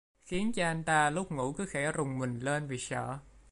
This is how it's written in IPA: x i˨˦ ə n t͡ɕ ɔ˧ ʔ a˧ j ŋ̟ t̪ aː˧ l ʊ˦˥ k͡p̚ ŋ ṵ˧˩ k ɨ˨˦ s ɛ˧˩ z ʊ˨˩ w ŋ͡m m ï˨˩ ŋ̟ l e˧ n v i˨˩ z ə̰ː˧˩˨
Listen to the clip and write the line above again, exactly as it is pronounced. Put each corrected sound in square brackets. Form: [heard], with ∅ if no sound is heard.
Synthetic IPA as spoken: x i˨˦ ə n t͡ɕ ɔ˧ ʔ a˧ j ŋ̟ t̪ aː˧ l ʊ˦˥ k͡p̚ ŋ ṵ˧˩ k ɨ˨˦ [x] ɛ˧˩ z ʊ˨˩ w ŋ͡m m ï˨˩ ŋ̟ l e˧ n v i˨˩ [s] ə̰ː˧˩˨